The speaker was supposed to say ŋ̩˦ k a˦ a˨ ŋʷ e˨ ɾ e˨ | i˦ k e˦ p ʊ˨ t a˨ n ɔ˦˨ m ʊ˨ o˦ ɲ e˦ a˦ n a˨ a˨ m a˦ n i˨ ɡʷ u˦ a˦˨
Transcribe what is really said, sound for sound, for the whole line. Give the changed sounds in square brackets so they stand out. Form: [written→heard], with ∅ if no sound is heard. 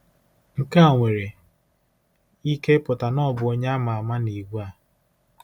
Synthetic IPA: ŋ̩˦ k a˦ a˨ ŋʷ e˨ ɾ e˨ | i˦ k e˦ p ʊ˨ t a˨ n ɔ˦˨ [m→b] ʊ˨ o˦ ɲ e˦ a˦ [n→m] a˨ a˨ m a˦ n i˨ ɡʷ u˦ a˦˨